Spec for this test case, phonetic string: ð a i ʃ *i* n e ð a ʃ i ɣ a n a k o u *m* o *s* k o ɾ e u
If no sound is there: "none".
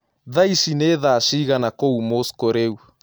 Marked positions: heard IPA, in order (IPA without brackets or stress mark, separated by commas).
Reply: i, m, s